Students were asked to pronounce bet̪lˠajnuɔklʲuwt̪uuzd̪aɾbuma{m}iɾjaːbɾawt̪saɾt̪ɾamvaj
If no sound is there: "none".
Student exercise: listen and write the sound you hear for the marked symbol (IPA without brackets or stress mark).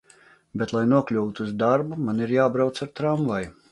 n